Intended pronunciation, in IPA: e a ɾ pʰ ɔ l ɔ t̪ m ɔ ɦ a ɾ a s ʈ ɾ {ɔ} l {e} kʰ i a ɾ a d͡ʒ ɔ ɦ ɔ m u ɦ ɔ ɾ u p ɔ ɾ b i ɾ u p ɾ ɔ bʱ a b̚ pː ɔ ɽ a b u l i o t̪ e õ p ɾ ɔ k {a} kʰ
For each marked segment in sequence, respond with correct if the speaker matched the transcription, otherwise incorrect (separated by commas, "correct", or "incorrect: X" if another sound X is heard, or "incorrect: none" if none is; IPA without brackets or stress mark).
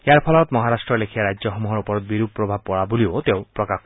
correct, correct, correct